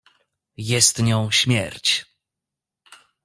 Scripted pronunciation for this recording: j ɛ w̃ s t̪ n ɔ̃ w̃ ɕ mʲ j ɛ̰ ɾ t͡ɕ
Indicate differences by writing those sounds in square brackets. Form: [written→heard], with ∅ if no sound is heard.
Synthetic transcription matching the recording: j ɛ [w̃→∅] s t̪ [n→ɲ] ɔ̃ w̃ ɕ mʲ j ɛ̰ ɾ t͡ɕ